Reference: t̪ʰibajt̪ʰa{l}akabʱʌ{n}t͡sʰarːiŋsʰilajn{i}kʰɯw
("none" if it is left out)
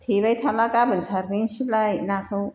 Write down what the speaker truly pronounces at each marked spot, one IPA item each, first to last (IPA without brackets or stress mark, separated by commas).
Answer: l, n, a